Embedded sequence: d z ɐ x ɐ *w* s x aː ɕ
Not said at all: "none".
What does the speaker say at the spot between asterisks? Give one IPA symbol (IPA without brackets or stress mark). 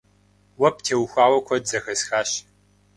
none